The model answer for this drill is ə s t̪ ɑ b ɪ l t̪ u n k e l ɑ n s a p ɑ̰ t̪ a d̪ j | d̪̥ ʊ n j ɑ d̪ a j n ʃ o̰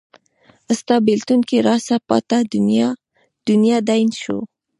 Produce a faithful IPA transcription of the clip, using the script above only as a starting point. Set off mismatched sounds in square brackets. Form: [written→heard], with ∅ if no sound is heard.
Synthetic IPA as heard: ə s t̪ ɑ b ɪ l t̪ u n k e [l→ɾ] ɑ [n→∅] s a p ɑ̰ t̪ a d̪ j | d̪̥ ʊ n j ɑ d̪ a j n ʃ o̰